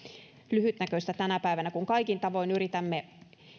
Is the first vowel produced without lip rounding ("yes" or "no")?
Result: no